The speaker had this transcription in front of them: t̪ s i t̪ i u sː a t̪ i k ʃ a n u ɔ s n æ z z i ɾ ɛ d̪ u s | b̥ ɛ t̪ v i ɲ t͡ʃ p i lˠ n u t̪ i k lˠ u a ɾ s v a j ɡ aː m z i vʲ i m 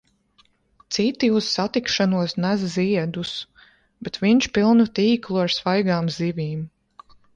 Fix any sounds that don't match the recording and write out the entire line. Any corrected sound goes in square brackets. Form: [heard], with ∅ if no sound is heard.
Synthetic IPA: t̪ s i t̪ i u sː a t̪ i k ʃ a n u ɔ s n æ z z i [∅] ɛ d̪ u s | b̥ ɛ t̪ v i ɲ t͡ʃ p i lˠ n u t̪ [iː] k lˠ u a ɾ s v a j ɡ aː m z i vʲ [iː] m